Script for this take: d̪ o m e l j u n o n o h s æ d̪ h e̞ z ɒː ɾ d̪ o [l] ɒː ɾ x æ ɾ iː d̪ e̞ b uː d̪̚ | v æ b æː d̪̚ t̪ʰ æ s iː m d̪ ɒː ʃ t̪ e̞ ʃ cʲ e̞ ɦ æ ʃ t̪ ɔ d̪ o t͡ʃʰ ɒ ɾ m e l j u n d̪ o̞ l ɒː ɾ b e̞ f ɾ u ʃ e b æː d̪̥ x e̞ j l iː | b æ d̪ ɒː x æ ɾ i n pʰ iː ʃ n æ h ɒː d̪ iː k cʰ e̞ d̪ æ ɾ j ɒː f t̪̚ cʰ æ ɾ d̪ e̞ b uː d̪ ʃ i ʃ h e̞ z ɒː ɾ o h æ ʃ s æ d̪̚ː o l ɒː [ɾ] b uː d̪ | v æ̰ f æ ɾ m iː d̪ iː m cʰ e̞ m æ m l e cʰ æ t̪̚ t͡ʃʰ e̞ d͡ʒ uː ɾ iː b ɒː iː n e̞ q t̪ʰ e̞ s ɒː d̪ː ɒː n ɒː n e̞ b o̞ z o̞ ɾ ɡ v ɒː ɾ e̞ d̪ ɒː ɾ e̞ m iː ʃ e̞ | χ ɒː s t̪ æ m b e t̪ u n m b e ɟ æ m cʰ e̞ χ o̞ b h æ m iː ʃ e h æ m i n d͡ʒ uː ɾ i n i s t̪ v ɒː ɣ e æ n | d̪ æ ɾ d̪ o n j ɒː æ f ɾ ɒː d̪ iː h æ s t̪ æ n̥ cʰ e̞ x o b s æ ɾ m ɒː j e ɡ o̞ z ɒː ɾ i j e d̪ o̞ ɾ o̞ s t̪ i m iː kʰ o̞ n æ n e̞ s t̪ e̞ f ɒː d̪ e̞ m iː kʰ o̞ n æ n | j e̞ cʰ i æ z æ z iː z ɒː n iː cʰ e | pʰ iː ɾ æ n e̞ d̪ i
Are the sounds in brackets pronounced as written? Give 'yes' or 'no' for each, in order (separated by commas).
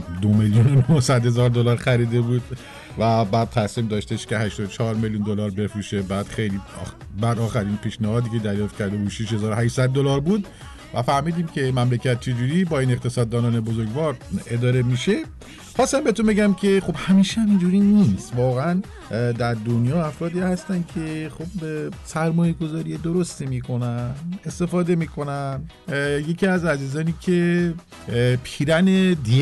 yes, yes